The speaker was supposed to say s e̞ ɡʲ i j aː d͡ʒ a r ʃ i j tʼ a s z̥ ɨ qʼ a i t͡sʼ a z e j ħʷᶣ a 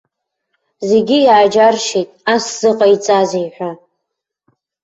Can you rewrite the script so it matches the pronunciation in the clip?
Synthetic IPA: z e̞ ɡʲ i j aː d͡ʒ a r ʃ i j tʼ a s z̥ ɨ qʼ a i t͡sʼ a z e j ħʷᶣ a